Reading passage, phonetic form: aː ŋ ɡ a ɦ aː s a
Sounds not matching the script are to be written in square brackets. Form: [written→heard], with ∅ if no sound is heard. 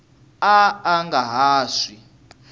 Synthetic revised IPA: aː ŋ ɡ a ɦ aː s [a→i]